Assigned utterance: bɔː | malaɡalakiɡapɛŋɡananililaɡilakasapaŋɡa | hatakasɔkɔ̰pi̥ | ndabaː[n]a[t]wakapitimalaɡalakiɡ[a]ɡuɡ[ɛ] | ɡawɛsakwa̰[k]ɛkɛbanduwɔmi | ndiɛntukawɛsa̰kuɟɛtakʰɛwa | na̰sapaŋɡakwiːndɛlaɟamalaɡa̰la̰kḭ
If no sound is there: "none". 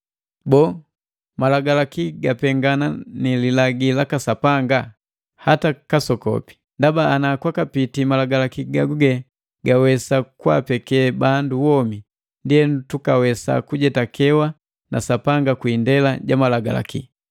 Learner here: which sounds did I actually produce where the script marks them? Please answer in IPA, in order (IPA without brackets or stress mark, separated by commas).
n, k, a, ɛ, p